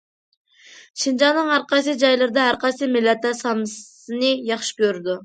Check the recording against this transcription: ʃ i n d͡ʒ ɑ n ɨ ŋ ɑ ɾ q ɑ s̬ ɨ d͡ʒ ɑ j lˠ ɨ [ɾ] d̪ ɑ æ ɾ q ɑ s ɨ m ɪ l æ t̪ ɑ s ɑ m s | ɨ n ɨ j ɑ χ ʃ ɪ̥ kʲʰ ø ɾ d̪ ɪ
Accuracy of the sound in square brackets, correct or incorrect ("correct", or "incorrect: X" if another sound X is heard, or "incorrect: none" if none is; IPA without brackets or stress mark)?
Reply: correct